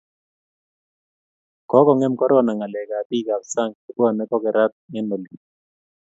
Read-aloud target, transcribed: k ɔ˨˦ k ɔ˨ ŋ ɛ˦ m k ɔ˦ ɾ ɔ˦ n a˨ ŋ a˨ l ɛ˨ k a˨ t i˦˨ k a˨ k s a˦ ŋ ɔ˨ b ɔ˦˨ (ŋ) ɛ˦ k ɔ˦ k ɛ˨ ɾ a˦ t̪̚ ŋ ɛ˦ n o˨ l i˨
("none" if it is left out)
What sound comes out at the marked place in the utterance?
n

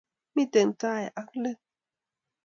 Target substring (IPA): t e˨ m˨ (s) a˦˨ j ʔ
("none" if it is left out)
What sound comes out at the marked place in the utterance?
t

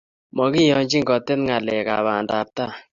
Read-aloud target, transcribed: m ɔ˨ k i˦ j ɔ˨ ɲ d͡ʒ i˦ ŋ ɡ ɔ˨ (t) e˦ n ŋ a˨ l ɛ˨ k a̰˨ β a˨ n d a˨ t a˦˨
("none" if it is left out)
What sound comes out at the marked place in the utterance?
t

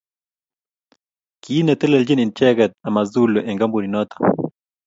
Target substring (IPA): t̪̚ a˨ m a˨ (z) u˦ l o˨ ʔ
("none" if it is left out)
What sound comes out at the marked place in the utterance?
z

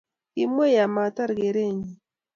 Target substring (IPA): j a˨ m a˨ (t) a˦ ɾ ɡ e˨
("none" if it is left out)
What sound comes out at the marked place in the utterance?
t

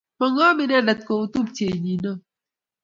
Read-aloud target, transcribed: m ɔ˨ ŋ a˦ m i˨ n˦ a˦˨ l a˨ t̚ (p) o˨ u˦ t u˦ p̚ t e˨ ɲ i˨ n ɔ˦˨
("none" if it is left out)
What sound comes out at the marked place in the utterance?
k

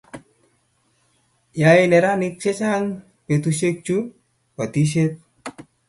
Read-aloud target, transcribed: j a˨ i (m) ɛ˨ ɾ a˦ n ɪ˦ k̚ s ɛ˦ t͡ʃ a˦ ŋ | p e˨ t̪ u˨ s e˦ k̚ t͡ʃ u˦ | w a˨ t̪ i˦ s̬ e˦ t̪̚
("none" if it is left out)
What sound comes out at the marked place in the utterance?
n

